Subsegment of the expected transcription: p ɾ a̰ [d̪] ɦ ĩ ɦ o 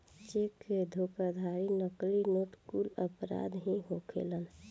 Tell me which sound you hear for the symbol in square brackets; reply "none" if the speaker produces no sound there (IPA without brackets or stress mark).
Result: d̪